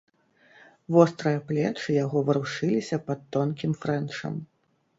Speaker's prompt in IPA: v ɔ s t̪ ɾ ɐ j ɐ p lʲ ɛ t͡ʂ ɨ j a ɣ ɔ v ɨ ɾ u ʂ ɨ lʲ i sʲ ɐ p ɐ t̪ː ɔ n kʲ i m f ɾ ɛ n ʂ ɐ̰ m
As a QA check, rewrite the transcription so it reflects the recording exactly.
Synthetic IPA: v ɔ s t̪ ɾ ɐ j ɐ p lʲ ɛ t͡ʂ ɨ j a ɣ ɔ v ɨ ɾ u ʂ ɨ lʲ i sʲ ɐ p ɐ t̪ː ɔ n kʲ i m f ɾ ɛ n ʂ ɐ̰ m